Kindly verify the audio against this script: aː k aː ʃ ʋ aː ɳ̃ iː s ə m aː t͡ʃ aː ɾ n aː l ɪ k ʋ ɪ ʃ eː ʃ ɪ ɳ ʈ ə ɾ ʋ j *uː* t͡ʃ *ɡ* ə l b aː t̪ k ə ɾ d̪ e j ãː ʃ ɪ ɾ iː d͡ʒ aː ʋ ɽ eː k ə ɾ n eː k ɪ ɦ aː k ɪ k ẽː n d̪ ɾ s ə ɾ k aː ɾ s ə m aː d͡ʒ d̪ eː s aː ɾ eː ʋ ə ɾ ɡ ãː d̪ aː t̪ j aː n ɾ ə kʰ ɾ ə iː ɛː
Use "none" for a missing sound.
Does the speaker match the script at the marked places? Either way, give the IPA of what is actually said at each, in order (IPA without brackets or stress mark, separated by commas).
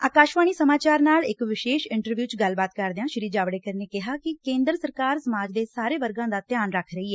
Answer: uː, ɡ